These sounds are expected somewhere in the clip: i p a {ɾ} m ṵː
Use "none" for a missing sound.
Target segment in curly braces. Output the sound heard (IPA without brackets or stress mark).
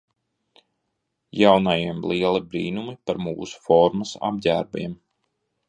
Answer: ɾ